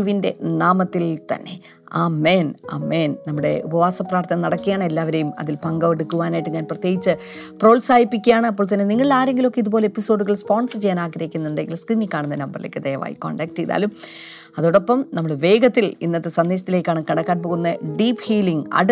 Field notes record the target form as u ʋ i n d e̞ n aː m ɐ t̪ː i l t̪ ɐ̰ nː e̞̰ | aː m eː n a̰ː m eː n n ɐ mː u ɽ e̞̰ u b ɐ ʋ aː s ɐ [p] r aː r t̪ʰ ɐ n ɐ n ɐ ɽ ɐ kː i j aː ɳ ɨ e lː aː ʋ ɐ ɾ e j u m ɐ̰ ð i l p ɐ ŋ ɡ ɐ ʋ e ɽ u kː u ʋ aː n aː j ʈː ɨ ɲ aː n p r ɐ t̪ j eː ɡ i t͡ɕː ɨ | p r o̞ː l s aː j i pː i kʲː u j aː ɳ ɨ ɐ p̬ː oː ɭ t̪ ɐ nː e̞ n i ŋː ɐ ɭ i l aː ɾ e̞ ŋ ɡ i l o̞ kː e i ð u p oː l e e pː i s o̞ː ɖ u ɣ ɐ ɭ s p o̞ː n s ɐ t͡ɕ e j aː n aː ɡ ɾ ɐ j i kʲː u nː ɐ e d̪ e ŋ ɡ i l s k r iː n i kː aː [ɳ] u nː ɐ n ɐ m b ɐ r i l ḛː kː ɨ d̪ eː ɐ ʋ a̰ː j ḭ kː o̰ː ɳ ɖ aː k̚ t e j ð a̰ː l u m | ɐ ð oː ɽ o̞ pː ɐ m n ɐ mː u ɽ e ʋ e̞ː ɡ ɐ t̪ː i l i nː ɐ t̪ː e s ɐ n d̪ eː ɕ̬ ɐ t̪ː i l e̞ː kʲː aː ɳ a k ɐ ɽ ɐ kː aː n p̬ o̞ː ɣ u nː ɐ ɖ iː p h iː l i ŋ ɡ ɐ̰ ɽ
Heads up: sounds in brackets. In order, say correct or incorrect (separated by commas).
correct, correct